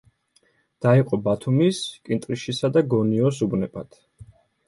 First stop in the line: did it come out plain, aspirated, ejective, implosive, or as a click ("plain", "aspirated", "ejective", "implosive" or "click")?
plain